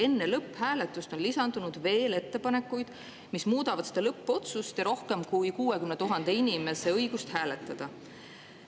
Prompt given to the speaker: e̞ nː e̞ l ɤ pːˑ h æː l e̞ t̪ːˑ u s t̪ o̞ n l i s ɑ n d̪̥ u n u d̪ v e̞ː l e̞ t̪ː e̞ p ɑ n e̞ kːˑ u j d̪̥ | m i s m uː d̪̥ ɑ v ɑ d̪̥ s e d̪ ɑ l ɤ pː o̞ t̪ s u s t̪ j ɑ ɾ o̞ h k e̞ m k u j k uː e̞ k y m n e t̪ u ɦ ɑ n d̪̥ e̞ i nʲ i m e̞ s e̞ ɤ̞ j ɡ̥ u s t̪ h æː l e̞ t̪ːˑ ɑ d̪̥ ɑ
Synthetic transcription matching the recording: e̞ nː e̞ l ɤ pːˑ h æː l e̞ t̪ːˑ u s t̪ o̞ n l i s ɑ n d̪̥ u n u d̪ v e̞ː l e̞ t̪ː e̞ p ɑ n e̞ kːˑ u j d̪̥ | m i s m uː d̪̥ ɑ v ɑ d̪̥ s e d̪ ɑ l ɤ pː o̞ t̪ s u s t̪ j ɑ ɾ o̞ h k e̞ m k u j k uː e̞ k y m n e t̪ u ɦ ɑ n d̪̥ e̞ i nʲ i m e̞ s e̞ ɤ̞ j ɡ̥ u s t̪ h æː l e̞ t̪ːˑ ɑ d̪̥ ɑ